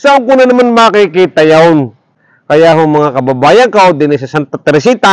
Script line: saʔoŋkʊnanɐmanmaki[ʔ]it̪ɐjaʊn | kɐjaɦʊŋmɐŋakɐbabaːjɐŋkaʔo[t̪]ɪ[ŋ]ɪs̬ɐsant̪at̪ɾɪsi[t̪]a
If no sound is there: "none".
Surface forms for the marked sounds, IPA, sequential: k, d̪, n, t̪

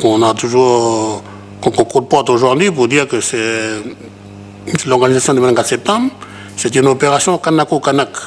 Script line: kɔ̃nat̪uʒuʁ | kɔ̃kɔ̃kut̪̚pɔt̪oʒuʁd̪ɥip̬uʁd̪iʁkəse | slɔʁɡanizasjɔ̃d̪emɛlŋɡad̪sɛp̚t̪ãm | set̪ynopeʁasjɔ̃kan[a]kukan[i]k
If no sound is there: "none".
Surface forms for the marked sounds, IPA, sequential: a, a

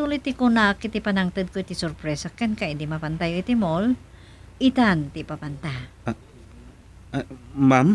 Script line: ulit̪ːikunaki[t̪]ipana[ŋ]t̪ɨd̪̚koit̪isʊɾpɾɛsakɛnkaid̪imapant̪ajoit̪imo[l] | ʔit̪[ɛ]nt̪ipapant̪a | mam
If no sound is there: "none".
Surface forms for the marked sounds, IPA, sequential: t̪, ŋ, l, a

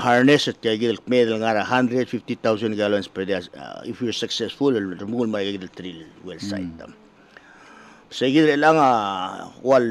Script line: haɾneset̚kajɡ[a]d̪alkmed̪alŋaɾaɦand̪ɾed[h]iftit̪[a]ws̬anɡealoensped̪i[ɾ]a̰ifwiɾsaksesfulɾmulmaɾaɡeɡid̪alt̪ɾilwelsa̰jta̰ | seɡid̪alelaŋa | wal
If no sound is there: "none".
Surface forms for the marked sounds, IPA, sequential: i, f, a, none

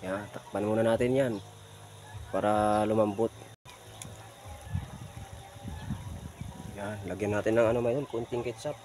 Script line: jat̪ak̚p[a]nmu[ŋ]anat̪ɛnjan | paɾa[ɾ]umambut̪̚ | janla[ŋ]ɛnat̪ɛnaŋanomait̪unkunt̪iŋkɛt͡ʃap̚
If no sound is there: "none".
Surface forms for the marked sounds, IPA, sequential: a, n, l, ɡ

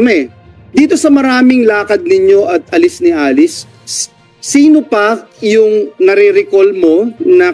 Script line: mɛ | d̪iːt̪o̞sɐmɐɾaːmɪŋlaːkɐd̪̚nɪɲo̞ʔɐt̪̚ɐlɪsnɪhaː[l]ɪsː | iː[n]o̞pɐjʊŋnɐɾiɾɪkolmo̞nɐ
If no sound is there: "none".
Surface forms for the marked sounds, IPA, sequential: l, n

